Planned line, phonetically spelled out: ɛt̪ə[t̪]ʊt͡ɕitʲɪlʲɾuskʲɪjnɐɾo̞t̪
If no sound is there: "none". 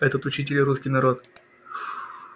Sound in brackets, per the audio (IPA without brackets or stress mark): t̪